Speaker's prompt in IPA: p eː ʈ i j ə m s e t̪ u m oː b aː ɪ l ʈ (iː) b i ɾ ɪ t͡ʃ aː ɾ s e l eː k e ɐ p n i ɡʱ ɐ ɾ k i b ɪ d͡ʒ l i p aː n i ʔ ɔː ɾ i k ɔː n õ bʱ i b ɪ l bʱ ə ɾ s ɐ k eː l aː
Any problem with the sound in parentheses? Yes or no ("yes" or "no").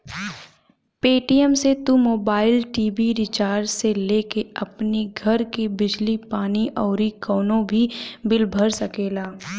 no